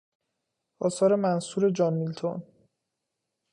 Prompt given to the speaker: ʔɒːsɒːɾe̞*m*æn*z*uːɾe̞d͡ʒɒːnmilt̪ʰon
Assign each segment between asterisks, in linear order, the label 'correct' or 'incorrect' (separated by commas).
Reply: correct, incorrect